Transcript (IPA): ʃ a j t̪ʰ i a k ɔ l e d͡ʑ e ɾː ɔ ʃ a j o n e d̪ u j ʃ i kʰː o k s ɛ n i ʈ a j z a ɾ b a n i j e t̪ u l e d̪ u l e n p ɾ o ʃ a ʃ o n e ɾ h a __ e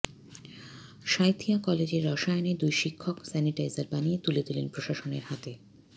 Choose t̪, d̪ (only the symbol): t̪